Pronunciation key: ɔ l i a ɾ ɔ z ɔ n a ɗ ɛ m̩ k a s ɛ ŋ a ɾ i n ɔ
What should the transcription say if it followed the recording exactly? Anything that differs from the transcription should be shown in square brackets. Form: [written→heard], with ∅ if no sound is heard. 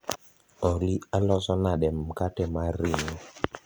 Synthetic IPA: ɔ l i a [ɾ→l] ɔ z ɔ n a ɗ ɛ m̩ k a [s→t] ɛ [ŋ→m] a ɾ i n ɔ

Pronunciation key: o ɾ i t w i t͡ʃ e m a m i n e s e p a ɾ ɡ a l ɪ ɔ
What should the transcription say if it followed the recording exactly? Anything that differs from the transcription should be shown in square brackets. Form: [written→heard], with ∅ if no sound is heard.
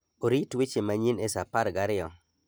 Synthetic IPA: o ɾ i t w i t͡ʃ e m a [m→ɲ] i n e s [e→a] p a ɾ ɡ a [l→ɾ] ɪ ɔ

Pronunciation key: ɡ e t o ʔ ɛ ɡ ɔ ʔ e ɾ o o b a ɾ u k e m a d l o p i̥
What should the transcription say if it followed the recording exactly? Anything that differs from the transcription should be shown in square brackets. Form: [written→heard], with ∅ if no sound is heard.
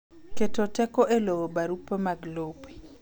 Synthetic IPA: [ɡ→k] e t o [ʔ→t] ɛ [ɡ→k] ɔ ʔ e [ɾ→l] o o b a ɾ u [k→p] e m a [d→ɡ] l o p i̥

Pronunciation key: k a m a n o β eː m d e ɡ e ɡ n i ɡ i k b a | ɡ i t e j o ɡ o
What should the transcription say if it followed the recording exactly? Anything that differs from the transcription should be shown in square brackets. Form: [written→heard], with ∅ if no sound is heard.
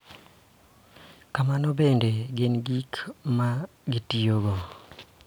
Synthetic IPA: k a m a n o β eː [m→n] d e ɡ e [ɡ→∅] n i ɡ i k [b→m] a | ɡ i t [e→i] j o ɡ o

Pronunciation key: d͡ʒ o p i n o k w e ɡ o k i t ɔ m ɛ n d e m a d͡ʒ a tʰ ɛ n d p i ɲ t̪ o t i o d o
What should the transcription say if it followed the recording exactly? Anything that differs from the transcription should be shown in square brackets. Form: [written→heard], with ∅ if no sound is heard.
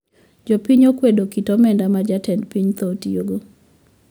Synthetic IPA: d͡ʒ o p i [n→ɲ] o k w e [ɡ→d] o k i t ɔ m ɛ n d [e→a] m a d͡ʒ a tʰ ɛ n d p i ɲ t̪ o t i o [d→ɡ] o

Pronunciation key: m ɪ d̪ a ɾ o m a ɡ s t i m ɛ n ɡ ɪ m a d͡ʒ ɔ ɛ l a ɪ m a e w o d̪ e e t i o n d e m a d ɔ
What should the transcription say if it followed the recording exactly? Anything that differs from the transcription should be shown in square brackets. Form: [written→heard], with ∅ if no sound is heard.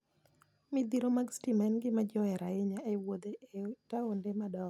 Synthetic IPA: m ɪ d̪ [a→i] ɾ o m a ɡ s t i m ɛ n ɡ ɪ m a d͡ʒ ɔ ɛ [l→ɾ] a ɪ [m→ɲ] a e w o d̪ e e t [i→a] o n d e m a d ɔ

